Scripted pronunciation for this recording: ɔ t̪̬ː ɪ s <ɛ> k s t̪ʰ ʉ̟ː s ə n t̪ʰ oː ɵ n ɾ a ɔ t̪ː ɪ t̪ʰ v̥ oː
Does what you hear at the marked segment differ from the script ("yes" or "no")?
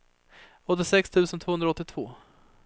no